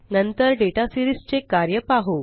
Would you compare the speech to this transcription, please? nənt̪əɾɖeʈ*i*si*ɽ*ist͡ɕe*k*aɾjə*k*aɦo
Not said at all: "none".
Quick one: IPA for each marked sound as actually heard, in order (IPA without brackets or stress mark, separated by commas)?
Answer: a, ɾ, k, p